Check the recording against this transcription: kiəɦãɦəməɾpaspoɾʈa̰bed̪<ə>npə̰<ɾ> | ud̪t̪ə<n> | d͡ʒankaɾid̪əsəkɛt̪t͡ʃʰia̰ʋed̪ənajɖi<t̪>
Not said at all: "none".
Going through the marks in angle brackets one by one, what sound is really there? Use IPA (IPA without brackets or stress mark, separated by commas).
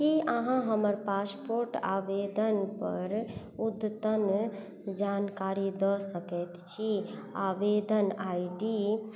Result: ə, ɾ, n, none